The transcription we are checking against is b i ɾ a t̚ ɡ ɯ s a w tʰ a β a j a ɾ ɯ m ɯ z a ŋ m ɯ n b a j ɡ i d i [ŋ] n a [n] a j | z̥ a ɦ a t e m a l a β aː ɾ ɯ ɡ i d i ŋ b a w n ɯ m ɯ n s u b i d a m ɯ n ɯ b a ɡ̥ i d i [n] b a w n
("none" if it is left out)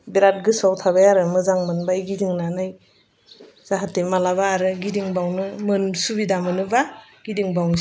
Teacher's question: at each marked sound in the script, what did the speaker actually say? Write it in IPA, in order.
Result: ŋ, n, ŋ

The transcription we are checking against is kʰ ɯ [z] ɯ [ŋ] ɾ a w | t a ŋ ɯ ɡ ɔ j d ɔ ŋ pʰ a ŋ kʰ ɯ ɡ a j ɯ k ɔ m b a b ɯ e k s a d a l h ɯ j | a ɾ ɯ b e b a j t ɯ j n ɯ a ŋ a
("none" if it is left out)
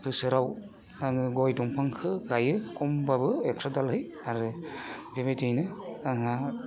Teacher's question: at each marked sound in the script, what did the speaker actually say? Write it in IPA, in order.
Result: s, none

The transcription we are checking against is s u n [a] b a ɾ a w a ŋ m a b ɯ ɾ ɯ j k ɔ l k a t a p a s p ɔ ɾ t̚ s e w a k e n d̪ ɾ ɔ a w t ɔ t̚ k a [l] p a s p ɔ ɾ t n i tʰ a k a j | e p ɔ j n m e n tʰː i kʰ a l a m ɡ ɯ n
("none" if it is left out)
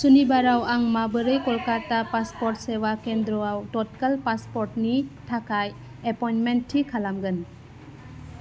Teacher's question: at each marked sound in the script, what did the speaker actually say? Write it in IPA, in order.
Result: i, l

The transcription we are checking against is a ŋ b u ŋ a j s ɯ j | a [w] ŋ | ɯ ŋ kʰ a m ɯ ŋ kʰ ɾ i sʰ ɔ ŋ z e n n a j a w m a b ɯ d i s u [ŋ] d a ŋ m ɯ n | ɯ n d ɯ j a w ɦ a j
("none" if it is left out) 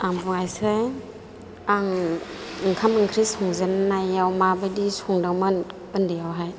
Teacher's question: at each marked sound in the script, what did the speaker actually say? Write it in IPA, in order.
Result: none, ŋ

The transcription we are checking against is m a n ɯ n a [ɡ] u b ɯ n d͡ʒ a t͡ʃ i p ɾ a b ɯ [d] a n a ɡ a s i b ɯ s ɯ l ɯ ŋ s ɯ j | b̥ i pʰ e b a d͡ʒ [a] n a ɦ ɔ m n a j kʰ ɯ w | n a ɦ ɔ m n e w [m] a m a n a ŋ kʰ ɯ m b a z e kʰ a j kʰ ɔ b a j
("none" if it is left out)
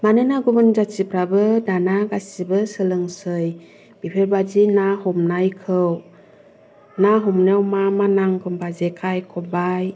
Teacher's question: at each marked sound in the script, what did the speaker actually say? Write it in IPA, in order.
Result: ɡ, d, i, m

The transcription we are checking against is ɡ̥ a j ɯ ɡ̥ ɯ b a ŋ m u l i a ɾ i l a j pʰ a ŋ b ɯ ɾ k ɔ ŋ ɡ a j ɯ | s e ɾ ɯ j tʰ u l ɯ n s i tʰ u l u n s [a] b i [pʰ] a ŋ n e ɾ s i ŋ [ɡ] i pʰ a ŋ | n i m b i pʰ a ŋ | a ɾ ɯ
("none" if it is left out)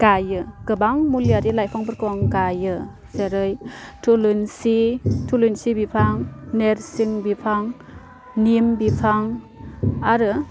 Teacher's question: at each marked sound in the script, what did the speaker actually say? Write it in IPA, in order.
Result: i, pʰ, b

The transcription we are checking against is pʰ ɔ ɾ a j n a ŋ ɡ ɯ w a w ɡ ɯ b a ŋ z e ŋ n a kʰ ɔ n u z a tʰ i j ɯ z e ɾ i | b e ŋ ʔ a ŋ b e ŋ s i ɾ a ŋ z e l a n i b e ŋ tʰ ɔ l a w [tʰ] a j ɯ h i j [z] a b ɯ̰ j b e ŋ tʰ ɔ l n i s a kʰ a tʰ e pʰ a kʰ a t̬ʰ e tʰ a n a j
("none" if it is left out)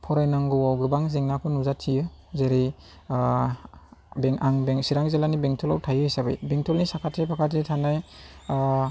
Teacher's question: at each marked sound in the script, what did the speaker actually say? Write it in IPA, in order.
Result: tʰ, s

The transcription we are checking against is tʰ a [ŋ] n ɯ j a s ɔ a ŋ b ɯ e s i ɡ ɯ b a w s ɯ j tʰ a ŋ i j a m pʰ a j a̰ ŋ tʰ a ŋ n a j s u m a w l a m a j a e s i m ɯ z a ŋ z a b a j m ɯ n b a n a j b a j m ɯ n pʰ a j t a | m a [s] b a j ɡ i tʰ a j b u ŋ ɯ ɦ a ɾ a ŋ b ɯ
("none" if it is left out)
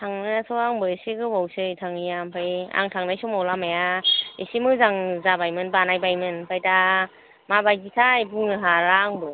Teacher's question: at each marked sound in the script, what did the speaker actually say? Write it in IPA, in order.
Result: ŋ, none

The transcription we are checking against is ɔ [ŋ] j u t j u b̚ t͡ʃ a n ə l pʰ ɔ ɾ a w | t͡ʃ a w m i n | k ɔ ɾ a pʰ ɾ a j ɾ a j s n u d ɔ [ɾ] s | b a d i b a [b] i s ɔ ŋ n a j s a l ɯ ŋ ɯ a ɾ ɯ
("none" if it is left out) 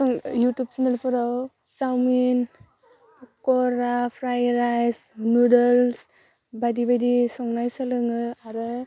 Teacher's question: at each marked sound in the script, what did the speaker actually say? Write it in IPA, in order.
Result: ŋ, l, d

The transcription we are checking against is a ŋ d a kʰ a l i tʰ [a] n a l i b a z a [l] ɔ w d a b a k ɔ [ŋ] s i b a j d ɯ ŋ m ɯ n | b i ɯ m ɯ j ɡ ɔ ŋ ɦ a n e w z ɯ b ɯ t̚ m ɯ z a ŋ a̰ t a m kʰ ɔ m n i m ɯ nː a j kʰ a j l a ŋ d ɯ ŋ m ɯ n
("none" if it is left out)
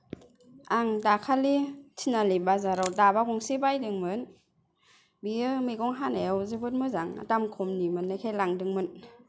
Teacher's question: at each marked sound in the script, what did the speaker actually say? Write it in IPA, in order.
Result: i, ɾ, ŋ

